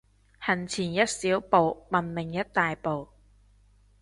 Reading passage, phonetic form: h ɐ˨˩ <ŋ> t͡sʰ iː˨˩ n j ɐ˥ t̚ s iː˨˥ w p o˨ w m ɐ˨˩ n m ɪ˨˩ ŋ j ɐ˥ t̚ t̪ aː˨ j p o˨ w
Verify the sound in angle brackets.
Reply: incorrect: n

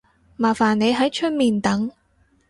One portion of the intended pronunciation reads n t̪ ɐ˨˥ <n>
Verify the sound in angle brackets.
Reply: incorrect: ŋ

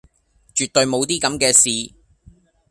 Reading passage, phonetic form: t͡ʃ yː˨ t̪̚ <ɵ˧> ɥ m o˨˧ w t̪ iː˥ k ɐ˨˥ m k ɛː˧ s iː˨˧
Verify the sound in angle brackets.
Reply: correct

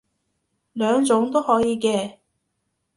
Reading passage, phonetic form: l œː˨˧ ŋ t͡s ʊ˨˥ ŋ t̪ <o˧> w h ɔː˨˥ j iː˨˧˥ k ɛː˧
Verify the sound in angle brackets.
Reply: incorrect: o˥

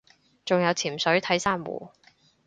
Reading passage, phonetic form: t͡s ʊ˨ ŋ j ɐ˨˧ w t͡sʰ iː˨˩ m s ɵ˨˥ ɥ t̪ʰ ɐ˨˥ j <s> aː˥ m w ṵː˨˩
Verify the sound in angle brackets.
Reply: correct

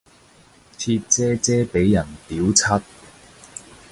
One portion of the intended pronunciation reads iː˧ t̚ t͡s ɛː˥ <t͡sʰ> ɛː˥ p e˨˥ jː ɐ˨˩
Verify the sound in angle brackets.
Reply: incorrect: t͡s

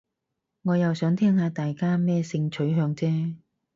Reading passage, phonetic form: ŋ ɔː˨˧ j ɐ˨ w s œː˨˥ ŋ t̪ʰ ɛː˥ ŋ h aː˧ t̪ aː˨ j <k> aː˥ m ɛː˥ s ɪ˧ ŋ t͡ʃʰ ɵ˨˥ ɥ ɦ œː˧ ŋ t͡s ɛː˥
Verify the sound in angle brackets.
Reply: correct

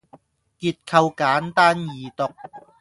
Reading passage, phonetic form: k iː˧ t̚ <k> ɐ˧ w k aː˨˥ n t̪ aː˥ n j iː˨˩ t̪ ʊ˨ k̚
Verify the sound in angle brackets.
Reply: incorrect: kʰ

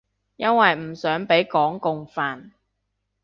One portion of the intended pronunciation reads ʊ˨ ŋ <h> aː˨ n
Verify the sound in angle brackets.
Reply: incorrect: f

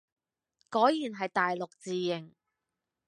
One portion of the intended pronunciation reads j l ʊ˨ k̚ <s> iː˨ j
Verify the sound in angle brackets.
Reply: incorrect: t͡s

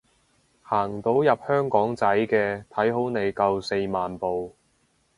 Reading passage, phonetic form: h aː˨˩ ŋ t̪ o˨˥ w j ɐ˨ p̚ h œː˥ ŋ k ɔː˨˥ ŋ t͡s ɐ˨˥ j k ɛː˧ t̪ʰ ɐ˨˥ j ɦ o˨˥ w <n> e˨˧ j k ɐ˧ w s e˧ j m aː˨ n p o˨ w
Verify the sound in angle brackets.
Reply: correct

